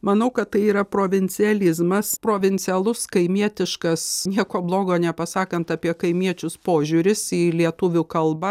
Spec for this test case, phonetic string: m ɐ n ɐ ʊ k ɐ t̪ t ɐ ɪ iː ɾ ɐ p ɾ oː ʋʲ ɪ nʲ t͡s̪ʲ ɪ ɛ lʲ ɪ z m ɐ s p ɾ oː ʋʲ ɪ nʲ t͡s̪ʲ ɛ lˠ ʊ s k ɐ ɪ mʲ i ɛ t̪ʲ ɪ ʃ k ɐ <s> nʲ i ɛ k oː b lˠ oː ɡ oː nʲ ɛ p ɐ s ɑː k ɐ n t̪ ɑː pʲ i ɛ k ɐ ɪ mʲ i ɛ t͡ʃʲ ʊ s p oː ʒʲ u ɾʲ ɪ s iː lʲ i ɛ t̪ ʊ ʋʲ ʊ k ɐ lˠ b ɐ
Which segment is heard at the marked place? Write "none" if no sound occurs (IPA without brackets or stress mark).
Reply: s